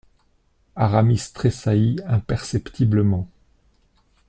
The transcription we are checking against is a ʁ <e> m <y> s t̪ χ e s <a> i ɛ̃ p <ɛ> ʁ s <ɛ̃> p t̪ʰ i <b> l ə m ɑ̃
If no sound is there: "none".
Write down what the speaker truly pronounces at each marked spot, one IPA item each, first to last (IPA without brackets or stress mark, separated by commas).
a, i, a, ɛ, ɛ, b